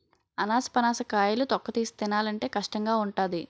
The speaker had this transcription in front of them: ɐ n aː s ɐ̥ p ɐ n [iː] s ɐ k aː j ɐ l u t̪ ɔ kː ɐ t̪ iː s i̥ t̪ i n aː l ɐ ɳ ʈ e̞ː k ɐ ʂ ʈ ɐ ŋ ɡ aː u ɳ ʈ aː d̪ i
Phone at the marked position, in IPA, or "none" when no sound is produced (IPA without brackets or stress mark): aː